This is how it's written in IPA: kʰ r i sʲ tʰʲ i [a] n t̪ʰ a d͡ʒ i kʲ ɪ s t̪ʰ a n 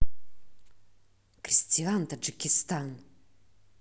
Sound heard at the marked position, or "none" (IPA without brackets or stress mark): a